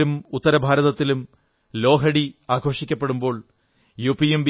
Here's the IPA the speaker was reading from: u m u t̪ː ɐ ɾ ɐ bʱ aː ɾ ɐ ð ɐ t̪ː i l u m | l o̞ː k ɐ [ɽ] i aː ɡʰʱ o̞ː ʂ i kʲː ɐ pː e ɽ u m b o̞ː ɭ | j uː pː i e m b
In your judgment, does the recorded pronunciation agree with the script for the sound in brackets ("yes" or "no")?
yes